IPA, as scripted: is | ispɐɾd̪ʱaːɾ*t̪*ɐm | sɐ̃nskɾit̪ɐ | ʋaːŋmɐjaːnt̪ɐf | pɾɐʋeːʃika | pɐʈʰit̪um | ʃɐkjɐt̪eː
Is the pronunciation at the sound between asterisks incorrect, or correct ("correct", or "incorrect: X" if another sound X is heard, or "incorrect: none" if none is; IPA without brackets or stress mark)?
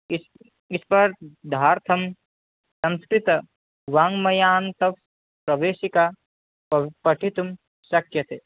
incorrect: t̪ʰ